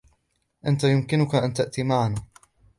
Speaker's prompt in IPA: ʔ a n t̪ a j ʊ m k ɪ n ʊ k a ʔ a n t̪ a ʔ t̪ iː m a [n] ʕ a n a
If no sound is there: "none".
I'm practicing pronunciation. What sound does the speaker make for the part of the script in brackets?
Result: none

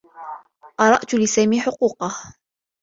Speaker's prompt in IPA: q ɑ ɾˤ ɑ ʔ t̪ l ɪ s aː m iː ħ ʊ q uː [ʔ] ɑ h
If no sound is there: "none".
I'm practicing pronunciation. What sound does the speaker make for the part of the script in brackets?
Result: q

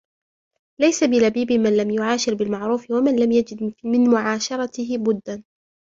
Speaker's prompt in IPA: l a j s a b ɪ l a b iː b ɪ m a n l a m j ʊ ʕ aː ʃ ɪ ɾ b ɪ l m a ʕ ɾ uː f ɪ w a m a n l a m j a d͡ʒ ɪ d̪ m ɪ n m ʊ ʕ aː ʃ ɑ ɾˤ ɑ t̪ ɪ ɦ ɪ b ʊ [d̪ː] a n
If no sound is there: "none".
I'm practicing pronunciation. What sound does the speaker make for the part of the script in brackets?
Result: d̪ː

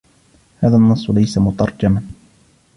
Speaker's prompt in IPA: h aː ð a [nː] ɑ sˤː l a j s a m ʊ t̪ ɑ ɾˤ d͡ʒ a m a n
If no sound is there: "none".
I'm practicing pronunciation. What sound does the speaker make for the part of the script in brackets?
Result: nː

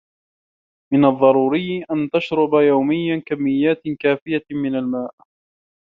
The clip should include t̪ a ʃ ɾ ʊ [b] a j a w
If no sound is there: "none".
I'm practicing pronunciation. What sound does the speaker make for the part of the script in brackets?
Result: b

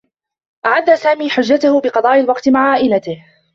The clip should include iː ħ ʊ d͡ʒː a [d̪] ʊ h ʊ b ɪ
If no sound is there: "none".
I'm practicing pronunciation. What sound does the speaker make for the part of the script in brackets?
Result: t̪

